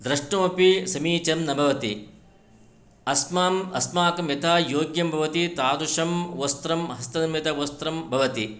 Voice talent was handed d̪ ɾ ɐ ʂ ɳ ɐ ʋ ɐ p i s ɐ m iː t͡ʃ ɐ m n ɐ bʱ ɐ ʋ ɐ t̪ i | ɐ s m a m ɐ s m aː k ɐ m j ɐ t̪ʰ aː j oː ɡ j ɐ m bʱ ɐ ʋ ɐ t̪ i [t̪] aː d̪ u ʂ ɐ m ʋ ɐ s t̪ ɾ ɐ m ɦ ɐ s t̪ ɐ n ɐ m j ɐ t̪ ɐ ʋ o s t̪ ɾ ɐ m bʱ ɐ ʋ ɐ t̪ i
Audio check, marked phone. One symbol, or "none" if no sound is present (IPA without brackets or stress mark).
t̪